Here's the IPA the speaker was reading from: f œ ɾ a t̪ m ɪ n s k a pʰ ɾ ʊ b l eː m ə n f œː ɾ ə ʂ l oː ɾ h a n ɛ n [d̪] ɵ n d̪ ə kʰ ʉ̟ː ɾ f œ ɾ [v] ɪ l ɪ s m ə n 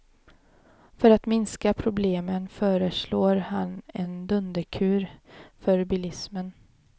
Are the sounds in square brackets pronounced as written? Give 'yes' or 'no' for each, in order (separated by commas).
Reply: yes, no